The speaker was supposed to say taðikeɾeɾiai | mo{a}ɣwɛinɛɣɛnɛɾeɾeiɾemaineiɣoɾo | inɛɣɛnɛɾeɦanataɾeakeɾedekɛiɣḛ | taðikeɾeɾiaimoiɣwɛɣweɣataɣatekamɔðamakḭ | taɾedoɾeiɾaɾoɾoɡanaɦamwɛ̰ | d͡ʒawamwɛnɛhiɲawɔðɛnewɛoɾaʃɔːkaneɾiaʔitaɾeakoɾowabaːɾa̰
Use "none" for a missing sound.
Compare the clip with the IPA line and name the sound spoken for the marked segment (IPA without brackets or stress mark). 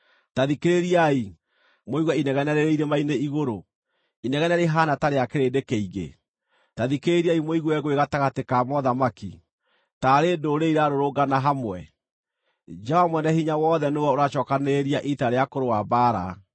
i